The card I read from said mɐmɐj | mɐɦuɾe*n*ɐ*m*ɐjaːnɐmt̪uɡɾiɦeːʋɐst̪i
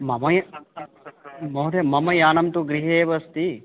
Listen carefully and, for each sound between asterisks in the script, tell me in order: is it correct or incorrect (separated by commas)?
incorrect, correct